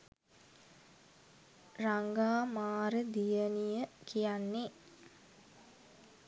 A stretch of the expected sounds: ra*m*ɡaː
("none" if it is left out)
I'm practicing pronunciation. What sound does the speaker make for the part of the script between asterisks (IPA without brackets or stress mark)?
ŋ